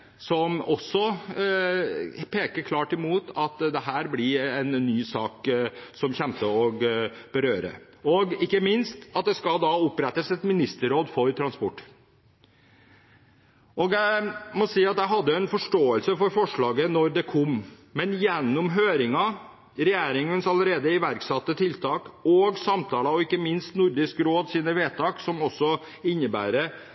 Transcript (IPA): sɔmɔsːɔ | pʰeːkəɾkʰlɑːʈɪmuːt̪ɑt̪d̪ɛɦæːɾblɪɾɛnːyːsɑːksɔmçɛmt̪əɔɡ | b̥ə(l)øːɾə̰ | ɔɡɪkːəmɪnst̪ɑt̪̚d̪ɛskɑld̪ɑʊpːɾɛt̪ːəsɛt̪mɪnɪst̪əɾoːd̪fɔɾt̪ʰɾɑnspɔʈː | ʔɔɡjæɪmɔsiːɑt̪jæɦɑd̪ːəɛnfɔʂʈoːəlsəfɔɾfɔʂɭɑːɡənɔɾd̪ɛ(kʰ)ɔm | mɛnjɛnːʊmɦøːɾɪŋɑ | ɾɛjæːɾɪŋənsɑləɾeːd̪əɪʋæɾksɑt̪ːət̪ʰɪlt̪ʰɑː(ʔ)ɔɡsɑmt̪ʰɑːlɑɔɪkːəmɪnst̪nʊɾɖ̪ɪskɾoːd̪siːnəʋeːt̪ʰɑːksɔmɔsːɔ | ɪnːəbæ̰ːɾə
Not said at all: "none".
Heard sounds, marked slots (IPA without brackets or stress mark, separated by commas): ɾ, kʰ, k